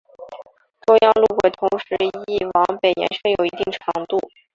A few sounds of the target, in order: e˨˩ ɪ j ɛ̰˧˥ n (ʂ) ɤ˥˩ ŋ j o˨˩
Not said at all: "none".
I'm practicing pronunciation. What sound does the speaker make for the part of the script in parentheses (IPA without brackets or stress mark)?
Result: ʂ